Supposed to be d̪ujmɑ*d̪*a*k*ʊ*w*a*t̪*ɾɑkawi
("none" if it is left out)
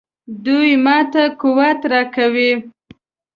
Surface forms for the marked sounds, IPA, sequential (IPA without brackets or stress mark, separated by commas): t̪, k, w, t̪